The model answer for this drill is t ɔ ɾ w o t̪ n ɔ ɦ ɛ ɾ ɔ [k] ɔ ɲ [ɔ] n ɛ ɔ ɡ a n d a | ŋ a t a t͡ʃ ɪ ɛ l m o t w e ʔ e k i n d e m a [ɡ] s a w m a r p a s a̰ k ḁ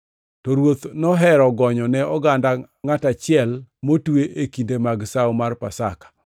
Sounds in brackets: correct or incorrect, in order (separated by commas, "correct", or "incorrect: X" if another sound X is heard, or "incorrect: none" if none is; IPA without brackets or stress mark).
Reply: incorrect: ɡ, correct, correct